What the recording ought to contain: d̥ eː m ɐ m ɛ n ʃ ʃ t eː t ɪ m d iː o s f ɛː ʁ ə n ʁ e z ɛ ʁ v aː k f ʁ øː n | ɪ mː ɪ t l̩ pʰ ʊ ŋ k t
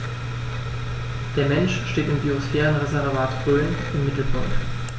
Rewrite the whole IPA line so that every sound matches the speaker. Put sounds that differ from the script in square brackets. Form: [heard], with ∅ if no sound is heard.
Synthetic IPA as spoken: d̥ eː [∅] ɐ m ɛ n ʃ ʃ t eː t ɪ m [b] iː o s f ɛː ʁ ə n ʁ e z ɛ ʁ v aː [t] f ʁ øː n | ɪ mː ɪ t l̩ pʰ ʊ ŋ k t